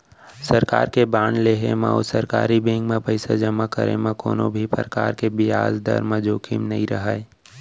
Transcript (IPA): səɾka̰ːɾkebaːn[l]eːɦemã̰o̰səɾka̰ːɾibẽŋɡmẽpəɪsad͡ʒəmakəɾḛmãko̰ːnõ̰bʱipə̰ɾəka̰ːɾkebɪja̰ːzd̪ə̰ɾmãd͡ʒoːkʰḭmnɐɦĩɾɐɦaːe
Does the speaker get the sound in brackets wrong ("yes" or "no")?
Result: no